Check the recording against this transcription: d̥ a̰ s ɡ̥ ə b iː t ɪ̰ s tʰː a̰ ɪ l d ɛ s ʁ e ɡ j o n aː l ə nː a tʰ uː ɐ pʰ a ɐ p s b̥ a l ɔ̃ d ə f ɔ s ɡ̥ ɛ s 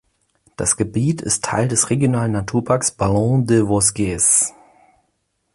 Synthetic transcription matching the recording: d̥ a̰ s ɡ̥ ə b iː t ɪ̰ s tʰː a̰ ɪ l d ɛ s ʁ e ɡ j o n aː l ə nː a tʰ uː ɐ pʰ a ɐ k s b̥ a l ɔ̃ d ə v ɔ s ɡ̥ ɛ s